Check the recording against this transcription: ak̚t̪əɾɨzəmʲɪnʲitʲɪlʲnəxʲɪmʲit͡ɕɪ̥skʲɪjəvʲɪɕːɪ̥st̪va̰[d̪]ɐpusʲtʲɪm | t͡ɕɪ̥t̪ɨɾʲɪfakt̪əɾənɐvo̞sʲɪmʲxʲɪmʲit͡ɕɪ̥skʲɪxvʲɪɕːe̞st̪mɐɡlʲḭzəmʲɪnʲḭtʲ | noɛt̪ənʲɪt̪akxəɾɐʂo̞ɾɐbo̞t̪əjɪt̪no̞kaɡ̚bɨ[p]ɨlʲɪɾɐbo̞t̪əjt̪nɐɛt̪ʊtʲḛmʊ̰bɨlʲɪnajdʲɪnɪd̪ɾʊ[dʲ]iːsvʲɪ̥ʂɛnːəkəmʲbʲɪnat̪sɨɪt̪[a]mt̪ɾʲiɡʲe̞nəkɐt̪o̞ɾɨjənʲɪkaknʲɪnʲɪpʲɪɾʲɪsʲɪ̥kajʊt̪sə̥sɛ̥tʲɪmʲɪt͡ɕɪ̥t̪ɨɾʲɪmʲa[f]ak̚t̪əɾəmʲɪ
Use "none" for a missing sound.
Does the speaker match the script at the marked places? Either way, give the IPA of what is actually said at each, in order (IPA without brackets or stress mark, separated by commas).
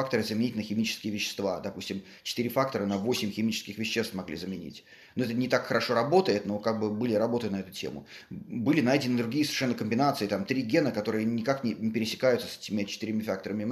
d̪, b, ɡʲ, a, f